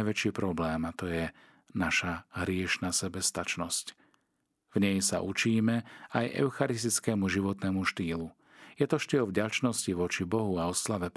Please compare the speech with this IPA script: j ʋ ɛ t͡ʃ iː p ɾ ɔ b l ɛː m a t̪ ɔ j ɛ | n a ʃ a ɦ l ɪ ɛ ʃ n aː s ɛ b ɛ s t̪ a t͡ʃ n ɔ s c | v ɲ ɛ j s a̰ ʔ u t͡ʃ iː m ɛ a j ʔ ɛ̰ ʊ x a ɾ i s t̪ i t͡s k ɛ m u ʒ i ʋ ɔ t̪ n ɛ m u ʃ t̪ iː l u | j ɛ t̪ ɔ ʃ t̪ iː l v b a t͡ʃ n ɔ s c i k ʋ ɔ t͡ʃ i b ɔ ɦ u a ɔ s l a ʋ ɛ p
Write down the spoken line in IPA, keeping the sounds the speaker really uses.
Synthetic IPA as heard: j ʋ ɛ t͡ʃ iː p ɾ ɔ b l ɛː m a t̪ ɔ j ɛ | n a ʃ a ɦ ɾ ɪ ɛ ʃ n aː s ɛ b ɛ s t̪ a t͡ʃ n ɔ s c | v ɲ ɛ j s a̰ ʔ u t͡ʃ iː m ɛ a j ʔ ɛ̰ ʊ x a ɾ i s t̪ i t͡s k ɛ m u ʒ i ʋ ɔ t̪ n ɛ m u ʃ t̪ iː l u | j ɛ t̪ ɔ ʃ t̪ iː l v ɟ a t͡ʃ n ɔ s c i ʋ ɔ t͡ʃ i b ɔ ɦ u a ɔ s l a ʋ ɛ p